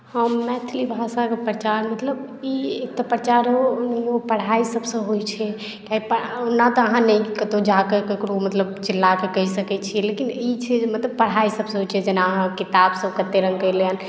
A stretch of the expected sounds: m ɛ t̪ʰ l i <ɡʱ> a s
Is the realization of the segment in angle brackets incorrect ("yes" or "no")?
yes